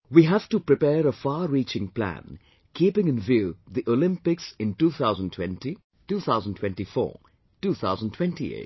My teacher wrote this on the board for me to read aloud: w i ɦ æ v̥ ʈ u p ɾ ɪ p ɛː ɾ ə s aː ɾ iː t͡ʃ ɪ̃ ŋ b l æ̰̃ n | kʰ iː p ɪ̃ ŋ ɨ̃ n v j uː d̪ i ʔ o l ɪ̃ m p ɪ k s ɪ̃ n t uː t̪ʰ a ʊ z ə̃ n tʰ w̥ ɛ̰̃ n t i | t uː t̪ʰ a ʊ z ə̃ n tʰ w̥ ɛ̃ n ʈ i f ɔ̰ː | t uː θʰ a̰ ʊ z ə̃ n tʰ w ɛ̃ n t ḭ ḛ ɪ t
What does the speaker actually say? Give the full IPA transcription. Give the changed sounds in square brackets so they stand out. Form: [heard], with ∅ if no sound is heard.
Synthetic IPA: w i ɦ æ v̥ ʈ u p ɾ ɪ p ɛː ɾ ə [f] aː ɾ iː t͡ʃ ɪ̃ ŋ [p] l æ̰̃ n | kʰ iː p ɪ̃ ŋ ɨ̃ n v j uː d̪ i ʔ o l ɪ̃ m p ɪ k s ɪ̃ n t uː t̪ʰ a ʊ z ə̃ n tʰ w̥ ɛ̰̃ n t i | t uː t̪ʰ a ʊ z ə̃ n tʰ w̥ ɛ̃ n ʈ i f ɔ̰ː | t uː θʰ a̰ ʊ z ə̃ n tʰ w ɛ̃ n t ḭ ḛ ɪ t